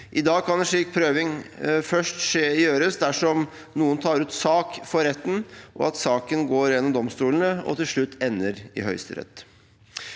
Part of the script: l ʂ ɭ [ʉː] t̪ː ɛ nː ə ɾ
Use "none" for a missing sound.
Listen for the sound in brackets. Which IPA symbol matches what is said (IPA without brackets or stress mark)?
ʉ